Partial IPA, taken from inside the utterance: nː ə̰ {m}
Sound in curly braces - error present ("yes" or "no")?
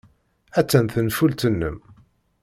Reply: no